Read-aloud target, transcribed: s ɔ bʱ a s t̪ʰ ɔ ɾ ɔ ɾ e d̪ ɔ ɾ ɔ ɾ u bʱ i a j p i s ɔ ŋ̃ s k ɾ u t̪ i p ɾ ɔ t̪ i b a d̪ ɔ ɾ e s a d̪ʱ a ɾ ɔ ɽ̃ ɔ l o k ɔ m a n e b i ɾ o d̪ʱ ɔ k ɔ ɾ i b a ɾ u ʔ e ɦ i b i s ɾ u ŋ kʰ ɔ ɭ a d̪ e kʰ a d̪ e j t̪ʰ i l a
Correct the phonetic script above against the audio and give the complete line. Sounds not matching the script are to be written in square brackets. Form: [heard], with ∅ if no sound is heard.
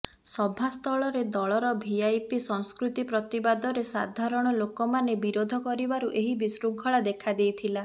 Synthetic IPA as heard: s ɔ bʱ a s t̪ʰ ɔ [ɭ] ɔ ɾ e d̪ ɔ [ɭ] ɔ ɾ [ɔ] bʱ i a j p i s ɔ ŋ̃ s k ɾ u t̪ i p ɾ ɔ t̪ i b a d̪ ɔ ɾ e s a d̪ʱ a ɾ ɔ ɽ̃ ɔ l o k ɔ m a n e b i ɾ o d̪ʱ ɔ k ɔ ɾ i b a ɾ u ʔ e ɦ i b i s ɾ u ŋ kʰ ɔ ɭ a d̪ e kʰ a d̪ e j t̪ʰ i l a